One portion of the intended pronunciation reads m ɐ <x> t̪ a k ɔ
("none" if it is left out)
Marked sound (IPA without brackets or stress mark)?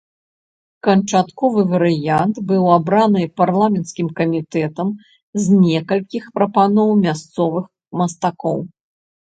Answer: s